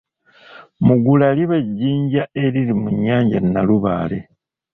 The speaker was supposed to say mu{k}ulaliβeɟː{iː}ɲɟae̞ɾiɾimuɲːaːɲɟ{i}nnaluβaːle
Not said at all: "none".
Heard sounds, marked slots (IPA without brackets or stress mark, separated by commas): ɡ, iː, a